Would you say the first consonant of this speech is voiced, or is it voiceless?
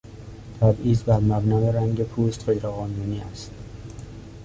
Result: voiceless